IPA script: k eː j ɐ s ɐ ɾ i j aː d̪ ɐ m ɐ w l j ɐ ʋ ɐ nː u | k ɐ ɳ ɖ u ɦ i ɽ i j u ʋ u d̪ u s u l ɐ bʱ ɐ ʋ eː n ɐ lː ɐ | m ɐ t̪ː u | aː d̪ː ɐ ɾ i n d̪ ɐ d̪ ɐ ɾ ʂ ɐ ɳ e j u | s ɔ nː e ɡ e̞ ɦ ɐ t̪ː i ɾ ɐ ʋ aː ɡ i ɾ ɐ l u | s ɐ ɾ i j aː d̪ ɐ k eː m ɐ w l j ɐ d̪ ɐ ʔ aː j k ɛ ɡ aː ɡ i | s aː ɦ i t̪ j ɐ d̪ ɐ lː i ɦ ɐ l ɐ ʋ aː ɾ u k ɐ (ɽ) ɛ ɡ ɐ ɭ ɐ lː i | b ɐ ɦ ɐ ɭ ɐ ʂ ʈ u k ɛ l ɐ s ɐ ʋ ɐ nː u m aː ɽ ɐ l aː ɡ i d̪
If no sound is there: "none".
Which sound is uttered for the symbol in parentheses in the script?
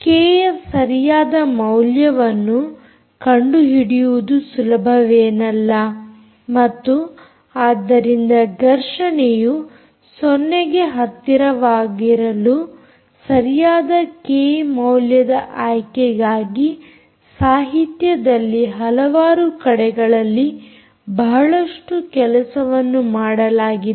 ɽ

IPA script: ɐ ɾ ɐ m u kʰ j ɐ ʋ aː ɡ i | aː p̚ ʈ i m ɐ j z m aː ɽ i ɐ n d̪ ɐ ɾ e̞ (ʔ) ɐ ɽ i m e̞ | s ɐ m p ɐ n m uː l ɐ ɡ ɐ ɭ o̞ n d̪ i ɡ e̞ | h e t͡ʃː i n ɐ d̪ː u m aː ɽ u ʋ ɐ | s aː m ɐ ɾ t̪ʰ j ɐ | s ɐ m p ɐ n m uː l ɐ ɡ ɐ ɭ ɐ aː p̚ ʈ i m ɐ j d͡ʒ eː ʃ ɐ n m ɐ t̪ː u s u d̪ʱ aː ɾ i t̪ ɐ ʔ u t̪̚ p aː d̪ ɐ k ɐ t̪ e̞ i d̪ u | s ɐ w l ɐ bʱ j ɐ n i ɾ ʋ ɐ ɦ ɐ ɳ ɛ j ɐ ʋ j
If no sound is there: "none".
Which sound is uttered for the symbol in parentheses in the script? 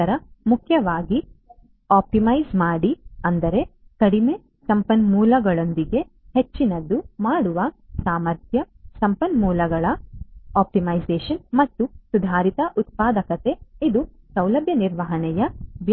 k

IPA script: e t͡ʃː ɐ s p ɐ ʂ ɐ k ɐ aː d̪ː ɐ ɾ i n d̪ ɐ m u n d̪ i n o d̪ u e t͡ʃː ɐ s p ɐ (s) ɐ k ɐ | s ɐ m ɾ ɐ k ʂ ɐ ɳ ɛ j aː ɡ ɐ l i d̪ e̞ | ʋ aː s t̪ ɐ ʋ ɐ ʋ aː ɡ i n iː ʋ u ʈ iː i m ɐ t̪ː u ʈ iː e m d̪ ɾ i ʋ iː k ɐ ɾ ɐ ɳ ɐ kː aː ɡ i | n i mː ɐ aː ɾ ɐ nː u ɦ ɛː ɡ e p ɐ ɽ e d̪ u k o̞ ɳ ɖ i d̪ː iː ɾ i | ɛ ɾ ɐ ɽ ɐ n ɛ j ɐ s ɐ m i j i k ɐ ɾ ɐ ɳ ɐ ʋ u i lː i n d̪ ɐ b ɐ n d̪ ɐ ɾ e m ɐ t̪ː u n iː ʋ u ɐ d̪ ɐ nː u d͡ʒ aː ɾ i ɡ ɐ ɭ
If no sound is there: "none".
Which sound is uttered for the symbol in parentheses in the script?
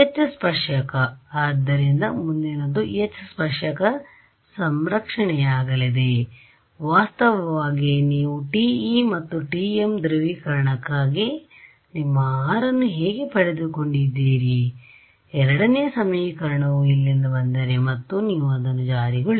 ʂ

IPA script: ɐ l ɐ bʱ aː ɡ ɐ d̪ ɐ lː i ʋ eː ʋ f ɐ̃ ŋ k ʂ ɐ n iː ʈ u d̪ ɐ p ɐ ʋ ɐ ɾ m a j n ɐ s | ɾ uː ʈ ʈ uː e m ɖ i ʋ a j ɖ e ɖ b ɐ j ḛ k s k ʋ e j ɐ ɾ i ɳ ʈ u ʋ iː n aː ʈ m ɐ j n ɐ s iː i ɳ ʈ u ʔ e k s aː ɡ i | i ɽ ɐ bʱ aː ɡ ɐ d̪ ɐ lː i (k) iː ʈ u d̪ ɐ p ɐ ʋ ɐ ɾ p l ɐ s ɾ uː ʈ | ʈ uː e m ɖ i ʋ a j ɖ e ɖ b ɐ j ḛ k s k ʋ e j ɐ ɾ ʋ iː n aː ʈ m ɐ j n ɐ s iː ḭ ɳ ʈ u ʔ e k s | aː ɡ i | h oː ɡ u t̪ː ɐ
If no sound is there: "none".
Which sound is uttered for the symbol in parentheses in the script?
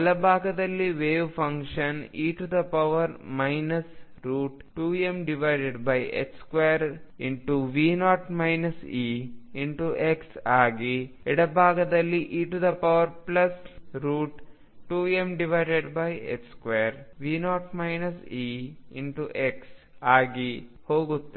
ʔ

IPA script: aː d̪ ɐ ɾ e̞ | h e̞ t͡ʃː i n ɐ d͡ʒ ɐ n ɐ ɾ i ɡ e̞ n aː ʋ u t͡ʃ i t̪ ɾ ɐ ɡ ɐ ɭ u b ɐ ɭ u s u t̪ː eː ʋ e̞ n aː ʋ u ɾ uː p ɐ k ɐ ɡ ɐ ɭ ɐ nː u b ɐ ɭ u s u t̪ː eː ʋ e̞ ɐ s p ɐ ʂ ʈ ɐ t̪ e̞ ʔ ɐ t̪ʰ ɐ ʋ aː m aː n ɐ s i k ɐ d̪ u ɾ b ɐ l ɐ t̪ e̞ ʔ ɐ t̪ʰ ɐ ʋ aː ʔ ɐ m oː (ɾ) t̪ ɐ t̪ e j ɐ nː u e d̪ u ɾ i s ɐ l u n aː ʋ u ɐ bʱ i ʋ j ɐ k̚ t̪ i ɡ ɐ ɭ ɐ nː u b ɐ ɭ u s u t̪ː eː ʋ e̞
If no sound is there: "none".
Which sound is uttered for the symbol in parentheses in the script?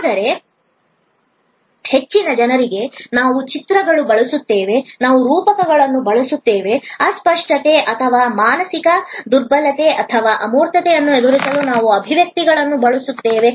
ɾ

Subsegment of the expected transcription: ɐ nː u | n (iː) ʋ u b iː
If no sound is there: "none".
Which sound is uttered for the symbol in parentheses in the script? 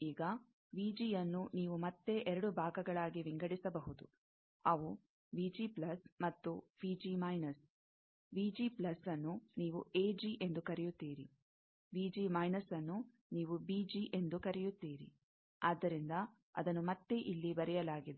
iː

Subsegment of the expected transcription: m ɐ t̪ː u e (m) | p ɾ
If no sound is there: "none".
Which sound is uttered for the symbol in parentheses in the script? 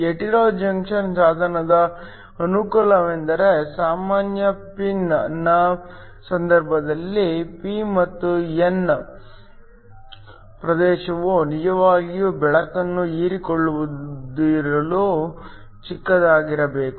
n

